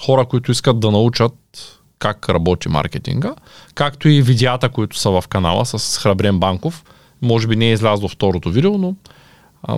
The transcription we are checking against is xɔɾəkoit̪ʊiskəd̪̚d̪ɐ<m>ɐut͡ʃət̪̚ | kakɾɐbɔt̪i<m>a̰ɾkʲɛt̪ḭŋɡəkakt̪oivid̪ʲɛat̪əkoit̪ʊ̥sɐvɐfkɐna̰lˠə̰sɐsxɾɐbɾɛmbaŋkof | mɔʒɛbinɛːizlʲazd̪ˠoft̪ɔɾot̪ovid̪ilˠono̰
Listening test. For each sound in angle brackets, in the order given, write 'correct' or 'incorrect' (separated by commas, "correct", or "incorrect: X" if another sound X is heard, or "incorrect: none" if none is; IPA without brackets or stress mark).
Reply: incorrect: n, correct